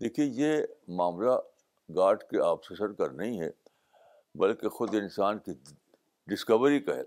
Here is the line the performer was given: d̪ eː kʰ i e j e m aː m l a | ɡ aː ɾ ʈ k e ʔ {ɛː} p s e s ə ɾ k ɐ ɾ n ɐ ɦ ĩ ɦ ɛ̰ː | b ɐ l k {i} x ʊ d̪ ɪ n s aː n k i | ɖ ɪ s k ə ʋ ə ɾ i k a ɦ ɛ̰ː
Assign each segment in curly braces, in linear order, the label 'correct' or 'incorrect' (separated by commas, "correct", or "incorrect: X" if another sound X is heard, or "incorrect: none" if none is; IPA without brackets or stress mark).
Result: incorrect: aː, incorrect: e